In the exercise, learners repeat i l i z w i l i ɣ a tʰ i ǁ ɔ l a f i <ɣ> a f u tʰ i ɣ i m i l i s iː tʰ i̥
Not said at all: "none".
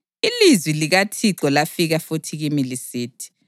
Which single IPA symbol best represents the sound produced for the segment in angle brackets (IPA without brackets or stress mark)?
ɣ